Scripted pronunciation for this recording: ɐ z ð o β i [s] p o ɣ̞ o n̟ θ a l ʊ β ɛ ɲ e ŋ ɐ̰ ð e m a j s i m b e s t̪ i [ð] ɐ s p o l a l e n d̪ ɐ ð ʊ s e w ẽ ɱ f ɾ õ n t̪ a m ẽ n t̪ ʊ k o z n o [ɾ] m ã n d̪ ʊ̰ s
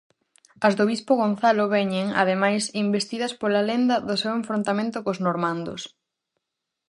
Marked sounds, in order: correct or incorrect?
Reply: correct, correct, correct

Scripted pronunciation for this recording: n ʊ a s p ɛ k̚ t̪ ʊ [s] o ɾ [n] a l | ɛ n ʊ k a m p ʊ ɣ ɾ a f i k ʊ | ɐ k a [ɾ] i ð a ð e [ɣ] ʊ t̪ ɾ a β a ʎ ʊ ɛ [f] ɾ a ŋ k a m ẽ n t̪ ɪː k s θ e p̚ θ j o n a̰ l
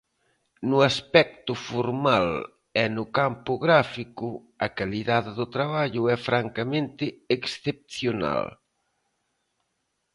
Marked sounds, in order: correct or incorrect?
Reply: incorrect, incorrect, incorrect, incorrect, correct

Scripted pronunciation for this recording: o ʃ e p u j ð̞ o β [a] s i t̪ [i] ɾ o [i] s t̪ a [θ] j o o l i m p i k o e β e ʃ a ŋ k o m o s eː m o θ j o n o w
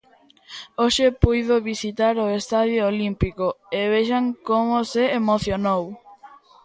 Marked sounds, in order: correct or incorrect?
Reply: incorrect, incorrect, incorrect, incorrect

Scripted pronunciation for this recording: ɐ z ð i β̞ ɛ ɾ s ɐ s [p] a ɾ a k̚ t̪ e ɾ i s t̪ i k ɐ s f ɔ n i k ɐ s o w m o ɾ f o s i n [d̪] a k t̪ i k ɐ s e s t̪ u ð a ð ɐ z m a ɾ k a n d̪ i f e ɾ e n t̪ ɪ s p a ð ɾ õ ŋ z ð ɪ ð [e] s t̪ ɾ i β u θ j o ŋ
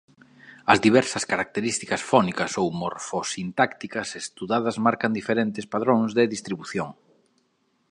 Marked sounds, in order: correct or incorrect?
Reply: incorrect, incorrect, incorrect

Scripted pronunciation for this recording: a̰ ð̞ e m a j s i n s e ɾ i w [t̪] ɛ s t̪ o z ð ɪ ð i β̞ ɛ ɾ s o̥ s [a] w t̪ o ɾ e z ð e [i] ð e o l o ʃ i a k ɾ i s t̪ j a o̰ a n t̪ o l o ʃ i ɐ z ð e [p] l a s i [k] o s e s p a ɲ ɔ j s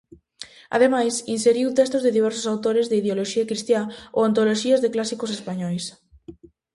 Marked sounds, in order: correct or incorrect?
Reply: correct, correct, correct, incorrect, correct

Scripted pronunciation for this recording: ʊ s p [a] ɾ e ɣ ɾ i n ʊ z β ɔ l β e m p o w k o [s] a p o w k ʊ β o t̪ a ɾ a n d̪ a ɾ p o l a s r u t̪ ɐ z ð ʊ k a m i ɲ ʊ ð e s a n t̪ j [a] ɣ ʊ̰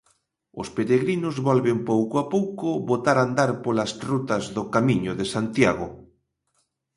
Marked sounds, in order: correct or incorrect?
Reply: incorrect, incorrect, correct

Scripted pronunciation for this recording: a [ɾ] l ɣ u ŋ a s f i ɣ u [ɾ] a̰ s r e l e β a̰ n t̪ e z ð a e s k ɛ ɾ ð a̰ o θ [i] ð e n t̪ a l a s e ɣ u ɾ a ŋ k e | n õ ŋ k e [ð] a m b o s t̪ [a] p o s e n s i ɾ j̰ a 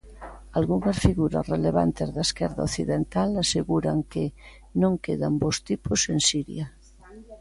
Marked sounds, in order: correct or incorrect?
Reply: incorrect, correct, correct, correct, incorrect

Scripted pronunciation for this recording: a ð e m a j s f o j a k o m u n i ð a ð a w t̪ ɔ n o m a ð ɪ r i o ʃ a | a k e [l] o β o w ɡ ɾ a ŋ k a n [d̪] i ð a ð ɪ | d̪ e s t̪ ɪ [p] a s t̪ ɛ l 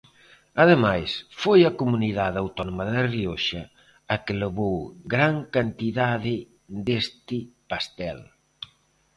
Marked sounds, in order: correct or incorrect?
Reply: correct, incorrect, correct

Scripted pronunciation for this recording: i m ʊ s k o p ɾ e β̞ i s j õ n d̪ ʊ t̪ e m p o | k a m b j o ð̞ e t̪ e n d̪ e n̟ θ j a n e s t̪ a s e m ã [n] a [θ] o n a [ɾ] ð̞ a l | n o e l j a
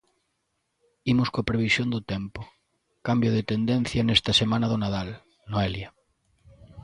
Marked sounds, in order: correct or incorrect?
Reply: correct, incorrect, incorrect

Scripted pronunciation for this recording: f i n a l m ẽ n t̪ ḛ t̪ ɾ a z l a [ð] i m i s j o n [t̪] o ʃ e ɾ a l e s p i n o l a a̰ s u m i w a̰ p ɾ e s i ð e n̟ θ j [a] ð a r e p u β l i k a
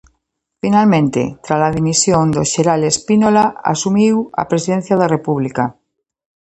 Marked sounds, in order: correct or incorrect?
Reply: correct, incorrect, correct

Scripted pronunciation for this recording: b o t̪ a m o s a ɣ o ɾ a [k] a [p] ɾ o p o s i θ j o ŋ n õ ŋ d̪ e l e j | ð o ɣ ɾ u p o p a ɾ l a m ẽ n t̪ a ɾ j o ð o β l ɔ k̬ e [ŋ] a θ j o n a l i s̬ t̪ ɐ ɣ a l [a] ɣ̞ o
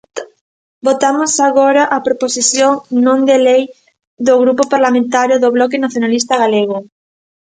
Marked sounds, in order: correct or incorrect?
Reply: incorrect, correct, incorrect, incorrect

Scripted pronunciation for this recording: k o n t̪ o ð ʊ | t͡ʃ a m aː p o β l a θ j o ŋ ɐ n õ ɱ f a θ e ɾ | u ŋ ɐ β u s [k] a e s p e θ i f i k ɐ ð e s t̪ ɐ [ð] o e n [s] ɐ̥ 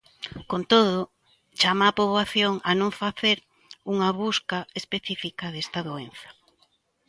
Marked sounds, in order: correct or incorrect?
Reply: correct, correct, incorrect

